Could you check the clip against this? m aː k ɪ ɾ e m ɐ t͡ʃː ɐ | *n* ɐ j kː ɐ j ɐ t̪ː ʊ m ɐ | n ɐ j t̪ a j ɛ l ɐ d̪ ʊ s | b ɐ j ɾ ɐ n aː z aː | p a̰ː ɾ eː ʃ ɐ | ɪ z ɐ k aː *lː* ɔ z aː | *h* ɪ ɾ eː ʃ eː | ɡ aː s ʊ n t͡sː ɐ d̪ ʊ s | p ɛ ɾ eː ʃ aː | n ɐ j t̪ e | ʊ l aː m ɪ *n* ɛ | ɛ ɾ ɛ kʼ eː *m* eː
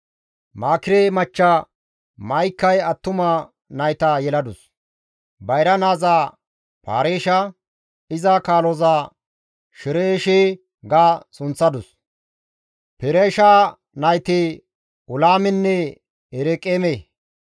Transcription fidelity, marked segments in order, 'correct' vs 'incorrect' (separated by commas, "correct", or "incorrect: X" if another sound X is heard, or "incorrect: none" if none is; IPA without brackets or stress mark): incorrect: m, incorrect: l, incorrect: ʃ, incorrect: nː, correct